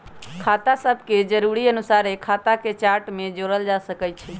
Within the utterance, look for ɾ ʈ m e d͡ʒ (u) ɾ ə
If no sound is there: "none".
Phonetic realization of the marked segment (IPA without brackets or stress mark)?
o